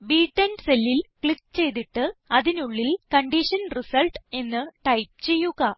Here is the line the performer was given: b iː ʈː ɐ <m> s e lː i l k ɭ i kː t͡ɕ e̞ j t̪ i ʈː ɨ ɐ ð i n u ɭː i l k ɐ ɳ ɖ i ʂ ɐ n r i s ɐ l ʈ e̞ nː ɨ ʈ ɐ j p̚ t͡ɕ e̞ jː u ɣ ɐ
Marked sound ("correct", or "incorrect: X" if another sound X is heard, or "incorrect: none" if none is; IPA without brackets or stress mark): incorrect: n